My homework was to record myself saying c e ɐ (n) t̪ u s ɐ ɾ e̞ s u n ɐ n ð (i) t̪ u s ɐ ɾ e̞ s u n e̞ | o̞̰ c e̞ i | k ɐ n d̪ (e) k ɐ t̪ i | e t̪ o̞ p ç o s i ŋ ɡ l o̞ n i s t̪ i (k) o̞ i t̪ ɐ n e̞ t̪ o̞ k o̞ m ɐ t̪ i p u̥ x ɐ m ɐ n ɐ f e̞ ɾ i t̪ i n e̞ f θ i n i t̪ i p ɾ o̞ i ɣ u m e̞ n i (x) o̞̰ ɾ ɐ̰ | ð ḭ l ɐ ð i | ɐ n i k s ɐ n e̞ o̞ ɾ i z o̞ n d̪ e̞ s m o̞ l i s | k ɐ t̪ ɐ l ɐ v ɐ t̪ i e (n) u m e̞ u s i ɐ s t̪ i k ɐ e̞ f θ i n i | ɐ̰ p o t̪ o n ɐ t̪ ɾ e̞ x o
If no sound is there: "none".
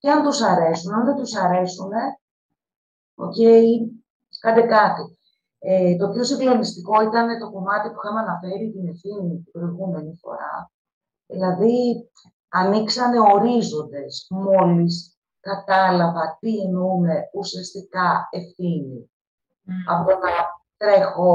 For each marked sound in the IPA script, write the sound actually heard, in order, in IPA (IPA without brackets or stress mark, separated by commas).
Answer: n, e, e, k, f, n